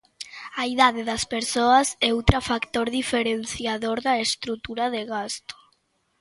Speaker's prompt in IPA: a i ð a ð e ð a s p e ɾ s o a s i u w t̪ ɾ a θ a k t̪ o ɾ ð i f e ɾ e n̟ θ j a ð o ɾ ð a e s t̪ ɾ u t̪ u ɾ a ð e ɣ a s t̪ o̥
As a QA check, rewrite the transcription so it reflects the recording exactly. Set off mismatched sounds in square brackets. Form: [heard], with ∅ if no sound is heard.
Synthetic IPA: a i ð a ð e ð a s p e ɾ s o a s [ɛ] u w t̪ ɾ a [f] a k t̪ o ɾ ð i f e ɾ e n̟ θ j a ð o ɾ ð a e s t̪ ɾ u t̪ u ɾ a ð e ɣ a s t̪ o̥